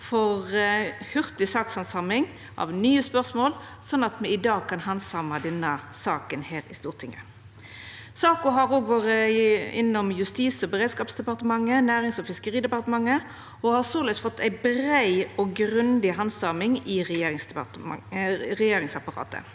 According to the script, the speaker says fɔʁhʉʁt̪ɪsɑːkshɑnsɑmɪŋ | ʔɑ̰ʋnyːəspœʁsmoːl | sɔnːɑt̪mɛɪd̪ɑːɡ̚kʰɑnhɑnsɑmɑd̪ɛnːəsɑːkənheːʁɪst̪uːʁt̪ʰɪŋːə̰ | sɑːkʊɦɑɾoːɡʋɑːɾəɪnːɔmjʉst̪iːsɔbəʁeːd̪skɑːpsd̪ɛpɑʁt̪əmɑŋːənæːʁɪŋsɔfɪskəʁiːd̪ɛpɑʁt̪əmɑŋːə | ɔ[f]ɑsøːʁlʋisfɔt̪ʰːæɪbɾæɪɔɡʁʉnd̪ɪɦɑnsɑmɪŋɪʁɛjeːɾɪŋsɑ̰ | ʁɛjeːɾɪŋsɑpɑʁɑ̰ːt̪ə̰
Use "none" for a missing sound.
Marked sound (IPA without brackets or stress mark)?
h